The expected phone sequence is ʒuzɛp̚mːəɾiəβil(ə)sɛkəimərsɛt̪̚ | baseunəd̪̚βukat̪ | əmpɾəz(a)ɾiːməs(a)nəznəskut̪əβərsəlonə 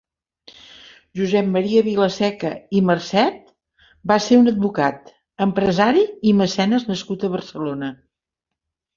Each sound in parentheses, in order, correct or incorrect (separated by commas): correct, correct, incorrect